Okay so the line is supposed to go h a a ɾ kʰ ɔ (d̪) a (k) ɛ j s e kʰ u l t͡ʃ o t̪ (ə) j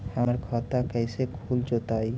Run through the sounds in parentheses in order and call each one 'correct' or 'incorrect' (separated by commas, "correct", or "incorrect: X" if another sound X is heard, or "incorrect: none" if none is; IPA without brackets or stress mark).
incorrect: t̪, correct, incorrect: a